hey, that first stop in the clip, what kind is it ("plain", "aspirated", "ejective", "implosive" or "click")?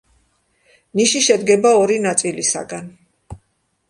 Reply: plain